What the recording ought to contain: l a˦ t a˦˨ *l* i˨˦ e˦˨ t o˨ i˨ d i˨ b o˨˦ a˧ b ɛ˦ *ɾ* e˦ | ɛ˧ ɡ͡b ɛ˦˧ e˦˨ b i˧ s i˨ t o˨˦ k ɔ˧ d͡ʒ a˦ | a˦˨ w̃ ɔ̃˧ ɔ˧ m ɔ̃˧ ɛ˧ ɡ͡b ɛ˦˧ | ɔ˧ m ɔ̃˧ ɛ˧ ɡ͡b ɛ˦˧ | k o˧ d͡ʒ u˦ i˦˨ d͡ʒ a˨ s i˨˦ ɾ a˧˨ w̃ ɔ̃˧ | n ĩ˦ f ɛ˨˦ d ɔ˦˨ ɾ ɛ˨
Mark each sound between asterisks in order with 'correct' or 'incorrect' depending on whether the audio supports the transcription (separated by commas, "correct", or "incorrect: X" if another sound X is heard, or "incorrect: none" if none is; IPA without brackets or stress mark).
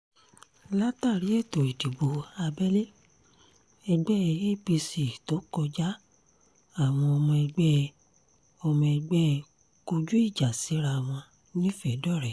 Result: incorrect: ɾ, incorrect: l